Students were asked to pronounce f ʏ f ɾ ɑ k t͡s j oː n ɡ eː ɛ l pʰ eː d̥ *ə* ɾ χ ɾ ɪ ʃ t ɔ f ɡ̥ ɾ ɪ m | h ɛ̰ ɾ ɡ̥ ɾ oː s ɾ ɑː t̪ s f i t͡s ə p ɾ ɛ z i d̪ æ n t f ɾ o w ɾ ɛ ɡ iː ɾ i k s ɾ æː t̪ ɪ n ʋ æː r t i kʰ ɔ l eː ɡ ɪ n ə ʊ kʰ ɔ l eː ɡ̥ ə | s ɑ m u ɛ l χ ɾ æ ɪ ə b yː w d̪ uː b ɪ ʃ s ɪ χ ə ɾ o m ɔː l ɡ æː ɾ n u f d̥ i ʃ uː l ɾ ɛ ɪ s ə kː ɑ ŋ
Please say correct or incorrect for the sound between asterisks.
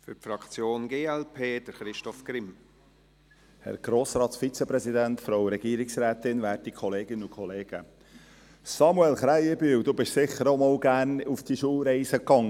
correct